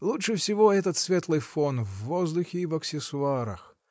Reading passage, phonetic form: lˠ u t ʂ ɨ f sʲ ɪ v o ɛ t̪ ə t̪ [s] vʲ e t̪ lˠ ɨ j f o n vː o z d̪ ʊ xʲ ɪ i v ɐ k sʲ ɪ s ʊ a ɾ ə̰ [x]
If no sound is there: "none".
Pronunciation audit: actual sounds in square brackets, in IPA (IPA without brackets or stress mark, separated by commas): s, x